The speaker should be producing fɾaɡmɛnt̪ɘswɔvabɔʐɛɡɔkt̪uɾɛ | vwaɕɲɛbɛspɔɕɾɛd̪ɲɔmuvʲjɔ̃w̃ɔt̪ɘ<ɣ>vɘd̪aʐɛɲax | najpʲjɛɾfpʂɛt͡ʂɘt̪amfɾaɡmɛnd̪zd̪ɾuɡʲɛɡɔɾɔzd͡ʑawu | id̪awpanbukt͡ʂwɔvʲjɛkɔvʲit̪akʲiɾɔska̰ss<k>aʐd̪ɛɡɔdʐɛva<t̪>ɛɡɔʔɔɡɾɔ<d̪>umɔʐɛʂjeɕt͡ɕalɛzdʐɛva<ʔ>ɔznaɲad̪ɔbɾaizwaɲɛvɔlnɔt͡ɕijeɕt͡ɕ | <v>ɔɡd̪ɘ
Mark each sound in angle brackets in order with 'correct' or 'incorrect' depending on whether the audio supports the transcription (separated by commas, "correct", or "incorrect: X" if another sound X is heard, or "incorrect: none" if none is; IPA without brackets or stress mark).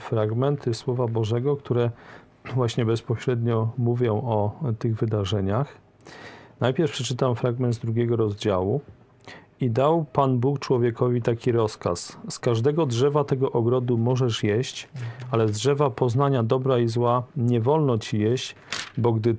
correct, correct, correct, correct, incorrect: p, incorrect: b